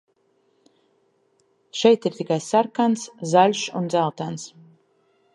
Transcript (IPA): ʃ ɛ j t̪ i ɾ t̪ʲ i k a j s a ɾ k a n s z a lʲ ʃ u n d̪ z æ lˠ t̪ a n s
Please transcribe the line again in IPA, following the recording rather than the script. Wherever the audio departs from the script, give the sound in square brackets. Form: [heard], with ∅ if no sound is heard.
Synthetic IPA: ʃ ɛ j t̪ i ɾ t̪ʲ i k a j s a ɾ k a n s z a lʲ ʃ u n d̪ z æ lˠ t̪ a n s